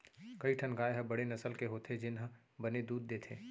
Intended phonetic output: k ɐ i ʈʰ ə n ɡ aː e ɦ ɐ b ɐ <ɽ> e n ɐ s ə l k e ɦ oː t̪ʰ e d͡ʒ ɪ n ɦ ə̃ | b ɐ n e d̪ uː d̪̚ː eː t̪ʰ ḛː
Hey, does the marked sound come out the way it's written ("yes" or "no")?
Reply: yes